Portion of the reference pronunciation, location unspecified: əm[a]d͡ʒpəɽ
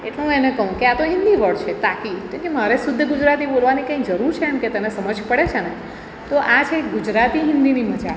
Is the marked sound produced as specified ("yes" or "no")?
no